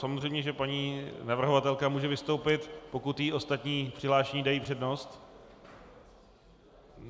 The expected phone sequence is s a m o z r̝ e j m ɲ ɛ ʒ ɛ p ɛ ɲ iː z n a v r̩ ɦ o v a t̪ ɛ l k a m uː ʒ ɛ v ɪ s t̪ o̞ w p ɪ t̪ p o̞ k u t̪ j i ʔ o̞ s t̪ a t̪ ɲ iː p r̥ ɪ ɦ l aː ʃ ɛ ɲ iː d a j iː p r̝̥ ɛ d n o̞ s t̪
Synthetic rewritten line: s a m o z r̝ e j m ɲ ɛ ʒ ɛ p a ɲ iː n a v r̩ ɦ o v a t̪ ɛ l k a m uː ʒ ɛ v ɪ s t̪ o̞ w p ɪ t̪ p o̞ k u t̪ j i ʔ o̞ s t̪ a t̪ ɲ iː p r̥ ɪ ɦ l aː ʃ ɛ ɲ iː d a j iː p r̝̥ ɛ d n o̞ s t̪

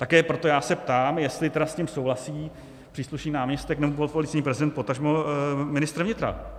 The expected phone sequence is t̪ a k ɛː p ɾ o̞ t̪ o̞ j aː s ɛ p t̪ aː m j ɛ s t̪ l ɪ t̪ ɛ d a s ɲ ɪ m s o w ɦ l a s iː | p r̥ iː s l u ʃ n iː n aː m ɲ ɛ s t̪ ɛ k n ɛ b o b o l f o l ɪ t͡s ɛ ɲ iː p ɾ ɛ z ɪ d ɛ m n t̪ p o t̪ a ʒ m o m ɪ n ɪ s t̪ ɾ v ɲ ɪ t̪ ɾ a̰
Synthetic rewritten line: t̪ a k ɛː p ɾ o̞ t̪ o̞ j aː s ɛ p t̪ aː m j ɛ s t̪ l ɪ t̪ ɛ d a s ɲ ɪ m s o w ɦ l a s iː | p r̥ iː s l u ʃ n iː n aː m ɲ ɛ s t̪ ɛ k n ɛ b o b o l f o l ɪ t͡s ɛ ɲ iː p ɾ ɛ z ɪ d ɛ n t̪ p o t̪ a ʒ m o m ɪ n ɪ s t̪ ɾ v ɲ ɪ t̪ ɾ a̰

